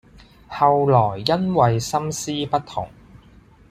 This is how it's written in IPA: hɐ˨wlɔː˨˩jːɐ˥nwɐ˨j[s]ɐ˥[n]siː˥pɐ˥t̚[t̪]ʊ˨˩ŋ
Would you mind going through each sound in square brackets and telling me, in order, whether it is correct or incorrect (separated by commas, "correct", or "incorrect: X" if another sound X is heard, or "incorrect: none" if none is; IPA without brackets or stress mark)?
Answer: correct, incorrect: m, incorrect: t̪ʰ